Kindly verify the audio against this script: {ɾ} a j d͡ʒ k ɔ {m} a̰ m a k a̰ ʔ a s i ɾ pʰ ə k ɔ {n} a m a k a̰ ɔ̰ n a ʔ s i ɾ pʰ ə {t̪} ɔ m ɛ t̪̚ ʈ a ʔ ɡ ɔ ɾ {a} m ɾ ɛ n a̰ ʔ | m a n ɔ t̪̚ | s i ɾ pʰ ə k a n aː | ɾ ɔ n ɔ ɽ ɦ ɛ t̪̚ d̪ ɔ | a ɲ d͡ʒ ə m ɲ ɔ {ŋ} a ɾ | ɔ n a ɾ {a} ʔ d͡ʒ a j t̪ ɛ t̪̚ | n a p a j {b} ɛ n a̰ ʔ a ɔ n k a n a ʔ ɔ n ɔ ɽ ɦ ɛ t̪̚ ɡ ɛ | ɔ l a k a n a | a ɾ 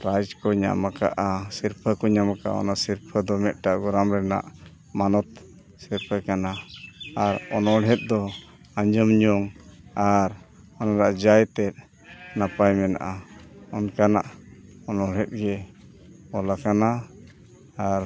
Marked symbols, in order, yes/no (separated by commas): yes, no, no, no, yes, yes, yes, no